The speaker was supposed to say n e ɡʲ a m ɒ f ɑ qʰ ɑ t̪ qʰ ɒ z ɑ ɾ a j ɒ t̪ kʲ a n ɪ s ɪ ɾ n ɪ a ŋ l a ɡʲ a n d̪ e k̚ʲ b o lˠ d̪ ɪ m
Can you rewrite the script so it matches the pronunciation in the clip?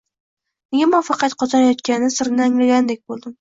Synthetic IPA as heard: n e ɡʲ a m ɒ f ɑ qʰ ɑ t̪ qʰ ɒ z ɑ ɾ a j ɒ t̪ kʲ a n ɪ s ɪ ɾ n ɪ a ŋ l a ɡʲ a n d̪ e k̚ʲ b o lˠ d̪ ɪ m